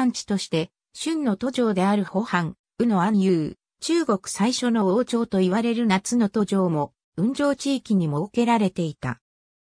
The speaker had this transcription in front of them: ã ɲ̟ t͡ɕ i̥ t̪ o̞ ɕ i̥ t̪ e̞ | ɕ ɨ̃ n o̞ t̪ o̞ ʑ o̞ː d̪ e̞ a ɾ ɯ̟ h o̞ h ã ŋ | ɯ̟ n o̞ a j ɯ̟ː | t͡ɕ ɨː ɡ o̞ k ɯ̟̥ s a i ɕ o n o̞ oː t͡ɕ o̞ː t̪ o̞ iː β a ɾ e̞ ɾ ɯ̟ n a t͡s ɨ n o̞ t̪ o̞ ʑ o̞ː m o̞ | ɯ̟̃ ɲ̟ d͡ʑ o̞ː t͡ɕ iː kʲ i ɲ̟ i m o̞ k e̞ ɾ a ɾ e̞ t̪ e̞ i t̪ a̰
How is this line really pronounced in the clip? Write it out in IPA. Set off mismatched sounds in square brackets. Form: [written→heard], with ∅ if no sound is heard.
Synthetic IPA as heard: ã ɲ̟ t͡ɕ i̥ t̪ o̞ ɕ i̥ t̪ e̞ | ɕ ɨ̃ [n→nː] o̞ t̪ o̞ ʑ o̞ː d̪ e̞ a ɾ ɯ̟ h o̞ h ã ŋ | ɯ̟ n o̞ a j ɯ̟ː | t͡ɕ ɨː ɡ o̞ k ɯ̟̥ s a i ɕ o n o̞ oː t͡ɕ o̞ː t̪ o̞ [iː→i] β a ɾ e̞ ɾ ɯ̟ n a t͡s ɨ n o̞ t̪ o̞ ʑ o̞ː m o̞ | ɯ̟̃ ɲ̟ d͡ʑ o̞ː t͡ɕ iː kʲ i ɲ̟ i m o̞ k e̞ ɾ a ɾ e̞ t̪ e̞ i t̪ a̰